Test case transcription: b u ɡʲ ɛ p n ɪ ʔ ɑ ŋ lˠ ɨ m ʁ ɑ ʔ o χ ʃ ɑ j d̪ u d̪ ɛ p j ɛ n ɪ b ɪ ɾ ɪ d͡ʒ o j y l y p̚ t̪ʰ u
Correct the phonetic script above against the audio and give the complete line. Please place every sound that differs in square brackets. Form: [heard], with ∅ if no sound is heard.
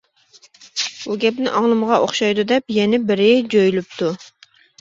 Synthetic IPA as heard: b u ɡʲ ɛ p n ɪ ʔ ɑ ŋ lˠ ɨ m ʁ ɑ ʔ o χ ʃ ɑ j d̪ u d̪ ɛ p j ɛ n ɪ b ɪ ɾ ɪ d͡ʒ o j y l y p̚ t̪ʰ u